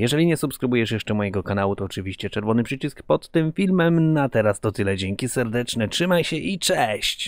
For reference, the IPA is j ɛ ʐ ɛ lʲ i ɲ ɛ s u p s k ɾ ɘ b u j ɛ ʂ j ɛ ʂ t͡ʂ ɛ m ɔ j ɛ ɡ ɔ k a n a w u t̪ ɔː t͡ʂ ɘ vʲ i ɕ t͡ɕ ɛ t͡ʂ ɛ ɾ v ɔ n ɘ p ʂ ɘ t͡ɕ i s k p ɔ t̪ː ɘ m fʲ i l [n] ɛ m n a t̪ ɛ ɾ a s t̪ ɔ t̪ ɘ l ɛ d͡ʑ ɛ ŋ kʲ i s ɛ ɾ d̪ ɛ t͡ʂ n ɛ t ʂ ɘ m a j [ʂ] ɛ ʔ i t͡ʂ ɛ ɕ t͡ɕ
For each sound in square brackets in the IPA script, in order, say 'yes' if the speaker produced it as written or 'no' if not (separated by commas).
no, no